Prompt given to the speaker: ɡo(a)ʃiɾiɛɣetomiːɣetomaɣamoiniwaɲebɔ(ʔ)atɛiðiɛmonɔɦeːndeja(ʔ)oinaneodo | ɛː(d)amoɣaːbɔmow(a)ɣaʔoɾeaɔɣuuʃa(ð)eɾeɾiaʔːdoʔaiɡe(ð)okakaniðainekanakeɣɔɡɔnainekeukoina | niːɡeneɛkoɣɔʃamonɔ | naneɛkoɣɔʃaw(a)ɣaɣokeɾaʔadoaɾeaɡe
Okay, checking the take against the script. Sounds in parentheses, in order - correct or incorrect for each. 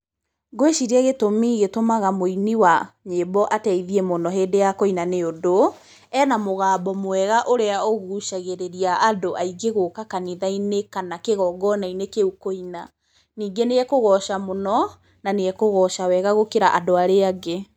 incorrect, correct, incorrect, incorrect, incorrect, incorrect, incorrect, incorrect

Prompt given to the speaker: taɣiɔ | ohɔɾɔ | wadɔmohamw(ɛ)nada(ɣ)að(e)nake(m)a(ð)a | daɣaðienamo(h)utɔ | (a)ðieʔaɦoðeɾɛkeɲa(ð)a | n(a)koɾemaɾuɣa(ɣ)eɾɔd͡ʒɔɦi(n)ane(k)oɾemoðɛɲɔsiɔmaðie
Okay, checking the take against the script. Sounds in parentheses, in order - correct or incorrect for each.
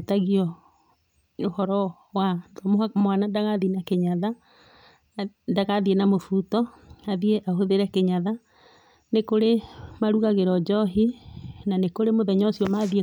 incorrect, correct, incorrect, incorrect, correct, incorrect, correct, correct, incorrect, correct, correct, correct

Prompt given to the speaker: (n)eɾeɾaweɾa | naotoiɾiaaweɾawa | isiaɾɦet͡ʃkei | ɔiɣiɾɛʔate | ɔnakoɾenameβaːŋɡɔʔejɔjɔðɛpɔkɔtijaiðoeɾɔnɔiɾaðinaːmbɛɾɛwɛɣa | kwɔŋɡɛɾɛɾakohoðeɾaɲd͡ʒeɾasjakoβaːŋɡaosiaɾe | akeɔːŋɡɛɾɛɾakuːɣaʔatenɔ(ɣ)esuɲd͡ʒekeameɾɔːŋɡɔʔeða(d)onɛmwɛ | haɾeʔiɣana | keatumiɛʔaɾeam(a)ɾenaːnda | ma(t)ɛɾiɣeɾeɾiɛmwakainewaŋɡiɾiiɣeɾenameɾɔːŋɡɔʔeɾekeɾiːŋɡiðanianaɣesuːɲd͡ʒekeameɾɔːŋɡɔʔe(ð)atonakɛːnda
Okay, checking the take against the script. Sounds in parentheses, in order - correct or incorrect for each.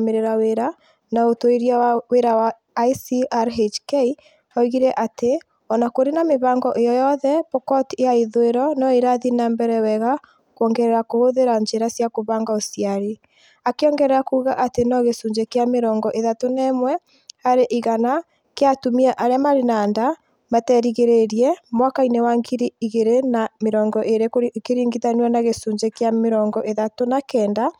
incorrect, correct, incorrect, correct, correct, correct

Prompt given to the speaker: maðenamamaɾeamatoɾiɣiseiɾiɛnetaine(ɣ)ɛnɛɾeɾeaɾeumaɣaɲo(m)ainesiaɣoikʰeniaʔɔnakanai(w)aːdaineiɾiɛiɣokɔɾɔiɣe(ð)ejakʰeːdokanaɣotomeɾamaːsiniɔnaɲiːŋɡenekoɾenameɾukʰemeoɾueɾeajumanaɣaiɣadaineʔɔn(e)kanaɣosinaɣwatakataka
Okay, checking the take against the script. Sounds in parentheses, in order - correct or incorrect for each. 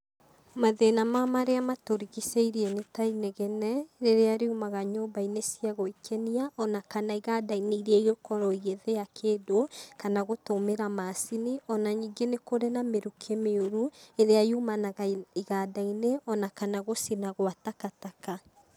correct, incorrect, incorrect, correct, incorrect

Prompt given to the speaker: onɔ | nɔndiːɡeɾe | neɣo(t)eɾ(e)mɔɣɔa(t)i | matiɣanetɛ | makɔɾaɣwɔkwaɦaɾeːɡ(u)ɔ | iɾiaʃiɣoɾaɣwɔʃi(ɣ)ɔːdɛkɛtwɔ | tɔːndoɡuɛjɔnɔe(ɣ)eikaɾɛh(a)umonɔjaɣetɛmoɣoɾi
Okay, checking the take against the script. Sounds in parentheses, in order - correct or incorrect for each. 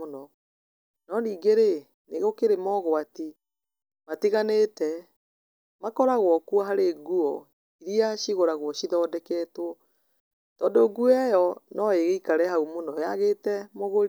incorrect, correct, correct, correct, incorrect, correct, correct

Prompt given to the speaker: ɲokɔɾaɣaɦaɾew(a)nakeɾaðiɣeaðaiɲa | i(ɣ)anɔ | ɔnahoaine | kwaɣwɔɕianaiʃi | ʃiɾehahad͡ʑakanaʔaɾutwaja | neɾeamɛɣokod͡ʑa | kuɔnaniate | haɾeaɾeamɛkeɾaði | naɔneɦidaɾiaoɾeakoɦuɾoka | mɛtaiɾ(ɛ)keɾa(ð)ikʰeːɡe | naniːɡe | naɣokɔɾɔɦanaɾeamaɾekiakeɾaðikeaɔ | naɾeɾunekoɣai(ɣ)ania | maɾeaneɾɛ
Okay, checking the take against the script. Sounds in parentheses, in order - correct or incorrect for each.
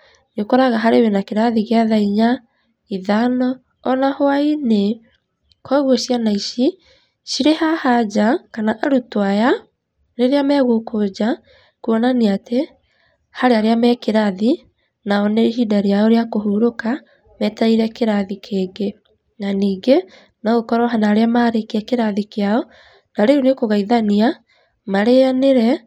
incorrect, incorrect, correct, correct, incorrect

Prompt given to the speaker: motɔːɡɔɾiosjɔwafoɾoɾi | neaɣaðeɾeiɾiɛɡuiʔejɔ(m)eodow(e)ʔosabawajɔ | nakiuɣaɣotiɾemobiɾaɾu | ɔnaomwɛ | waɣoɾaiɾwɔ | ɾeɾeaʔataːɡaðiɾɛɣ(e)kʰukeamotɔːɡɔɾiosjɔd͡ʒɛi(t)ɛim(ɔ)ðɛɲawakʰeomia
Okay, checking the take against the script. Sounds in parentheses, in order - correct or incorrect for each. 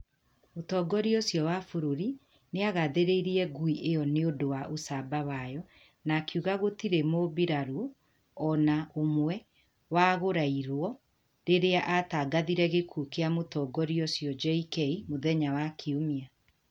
incorrect, incorrect, correct, incorrect, incorrect

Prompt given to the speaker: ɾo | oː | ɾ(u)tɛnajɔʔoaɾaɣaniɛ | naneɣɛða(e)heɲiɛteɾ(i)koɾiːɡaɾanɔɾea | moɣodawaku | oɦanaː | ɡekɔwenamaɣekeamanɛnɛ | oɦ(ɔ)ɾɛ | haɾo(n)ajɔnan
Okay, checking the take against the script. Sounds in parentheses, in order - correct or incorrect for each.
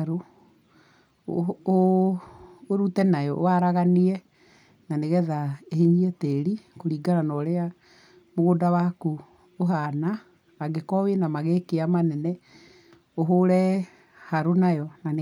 correct, correct, correct, incorrect, correct

